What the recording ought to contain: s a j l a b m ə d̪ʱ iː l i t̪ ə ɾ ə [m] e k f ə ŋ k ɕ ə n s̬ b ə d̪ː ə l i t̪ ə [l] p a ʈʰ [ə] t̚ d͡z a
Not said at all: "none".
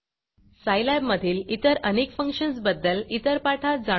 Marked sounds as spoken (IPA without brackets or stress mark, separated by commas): n, ɾ, a